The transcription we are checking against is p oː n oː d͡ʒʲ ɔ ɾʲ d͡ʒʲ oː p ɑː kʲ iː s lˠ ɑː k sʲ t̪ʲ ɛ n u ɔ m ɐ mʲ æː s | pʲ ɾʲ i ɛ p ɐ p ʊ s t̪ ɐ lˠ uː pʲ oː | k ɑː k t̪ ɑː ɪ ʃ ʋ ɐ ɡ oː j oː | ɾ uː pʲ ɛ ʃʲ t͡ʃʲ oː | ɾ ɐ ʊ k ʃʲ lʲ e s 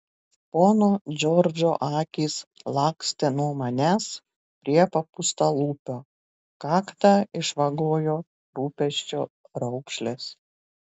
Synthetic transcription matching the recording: p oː n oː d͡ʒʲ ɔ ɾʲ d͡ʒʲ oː ʔ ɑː kʲ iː s lˠ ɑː k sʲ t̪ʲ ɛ n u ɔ m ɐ nʲ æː s | pʲ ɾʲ i ɛ p ɐ p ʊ s t̪ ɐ lˠ uː pʲ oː | k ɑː k t̪ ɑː ɪ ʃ ʋ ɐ ɡ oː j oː | ɾ uː pʲ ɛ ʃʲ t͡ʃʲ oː | ɾ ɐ ʊ k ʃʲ lʲ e s